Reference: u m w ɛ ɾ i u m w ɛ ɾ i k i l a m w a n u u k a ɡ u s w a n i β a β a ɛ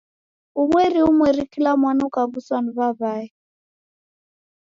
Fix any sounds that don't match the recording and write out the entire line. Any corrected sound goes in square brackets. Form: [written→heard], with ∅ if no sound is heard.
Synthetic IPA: u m w ɛ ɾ i u m w ɛ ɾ i k i l a m w a n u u k a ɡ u s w a n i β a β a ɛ